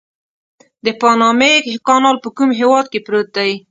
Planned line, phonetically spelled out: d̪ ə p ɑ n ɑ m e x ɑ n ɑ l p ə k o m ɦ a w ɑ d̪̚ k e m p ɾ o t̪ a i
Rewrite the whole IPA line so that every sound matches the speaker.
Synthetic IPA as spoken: d̪ ə p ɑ n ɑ m e k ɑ n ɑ l p ə k u m ɦ e w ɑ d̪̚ k e p ɾ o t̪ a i